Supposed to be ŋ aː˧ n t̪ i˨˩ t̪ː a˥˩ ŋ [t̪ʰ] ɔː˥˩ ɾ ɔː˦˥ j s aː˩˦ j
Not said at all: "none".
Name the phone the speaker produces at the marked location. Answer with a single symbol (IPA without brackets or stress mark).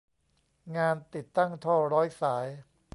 t̪ʰ